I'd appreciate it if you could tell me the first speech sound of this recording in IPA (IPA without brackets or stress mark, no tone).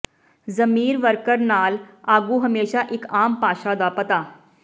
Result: z